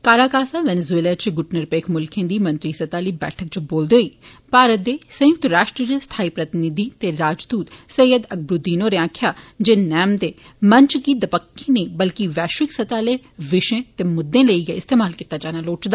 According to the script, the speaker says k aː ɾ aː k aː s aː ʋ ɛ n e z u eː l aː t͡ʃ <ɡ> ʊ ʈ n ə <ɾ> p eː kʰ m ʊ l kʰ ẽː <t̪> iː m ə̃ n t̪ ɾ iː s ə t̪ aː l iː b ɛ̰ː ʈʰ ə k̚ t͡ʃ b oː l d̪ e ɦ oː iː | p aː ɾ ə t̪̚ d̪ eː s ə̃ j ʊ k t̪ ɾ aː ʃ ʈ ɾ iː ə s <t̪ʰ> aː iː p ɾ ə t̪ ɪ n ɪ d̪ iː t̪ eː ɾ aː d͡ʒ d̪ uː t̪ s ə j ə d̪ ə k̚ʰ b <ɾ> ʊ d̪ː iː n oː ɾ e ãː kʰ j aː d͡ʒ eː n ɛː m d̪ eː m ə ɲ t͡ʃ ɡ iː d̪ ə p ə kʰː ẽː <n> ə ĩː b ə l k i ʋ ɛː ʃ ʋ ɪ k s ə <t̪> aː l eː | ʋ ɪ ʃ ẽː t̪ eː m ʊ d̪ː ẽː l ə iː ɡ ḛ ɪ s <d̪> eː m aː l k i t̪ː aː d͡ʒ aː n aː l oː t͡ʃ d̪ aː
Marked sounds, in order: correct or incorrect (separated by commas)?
correct, correct, incorrect, correct, correct, correct, correct, incorrect